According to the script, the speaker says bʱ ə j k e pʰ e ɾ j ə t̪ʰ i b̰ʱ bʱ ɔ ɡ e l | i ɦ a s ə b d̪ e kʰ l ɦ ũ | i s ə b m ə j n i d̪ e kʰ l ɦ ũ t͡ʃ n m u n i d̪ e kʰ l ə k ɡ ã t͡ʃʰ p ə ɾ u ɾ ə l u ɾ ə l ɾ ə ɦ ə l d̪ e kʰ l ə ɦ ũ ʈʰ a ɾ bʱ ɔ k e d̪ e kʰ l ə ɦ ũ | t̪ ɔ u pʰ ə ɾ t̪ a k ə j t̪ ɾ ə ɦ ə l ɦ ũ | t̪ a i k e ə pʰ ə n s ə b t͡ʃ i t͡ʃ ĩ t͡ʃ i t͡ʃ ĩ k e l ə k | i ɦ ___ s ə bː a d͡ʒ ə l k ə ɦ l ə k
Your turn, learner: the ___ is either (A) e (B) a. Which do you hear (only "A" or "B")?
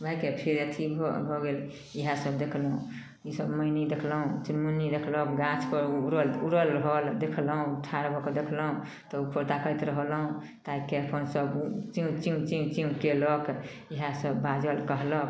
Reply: B